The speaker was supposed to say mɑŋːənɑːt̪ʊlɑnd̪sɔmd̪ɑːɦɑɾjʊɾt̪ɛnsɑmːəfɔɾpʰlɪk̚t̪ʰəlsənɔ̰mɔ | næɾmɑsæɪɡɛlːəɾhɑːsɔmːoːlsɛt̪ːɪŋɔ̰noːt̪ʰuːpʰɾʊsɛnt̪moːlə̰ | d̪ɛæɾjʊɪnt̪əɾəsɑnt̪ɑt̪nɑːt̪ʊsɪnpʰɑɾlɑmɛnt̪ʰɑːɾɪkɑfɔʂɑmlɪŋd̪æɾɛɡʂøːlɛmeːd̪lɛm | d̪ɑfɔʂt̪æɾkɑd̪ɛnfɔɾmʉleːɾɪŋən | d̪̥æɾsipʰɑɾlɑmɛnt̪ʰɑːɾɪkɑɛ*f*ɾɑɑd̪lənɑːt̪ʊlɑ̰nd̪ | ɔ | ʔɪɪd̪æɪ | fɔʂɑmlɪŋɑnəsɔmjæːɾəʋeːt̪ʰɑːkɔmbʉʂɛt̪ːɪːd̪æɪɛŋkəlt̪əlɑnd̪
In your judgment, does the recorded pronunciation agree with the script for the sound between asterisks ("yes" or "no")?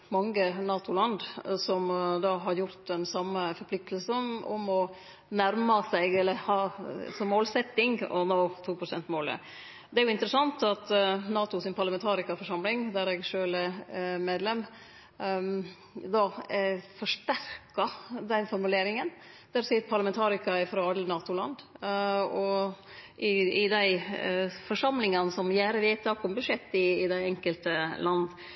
yes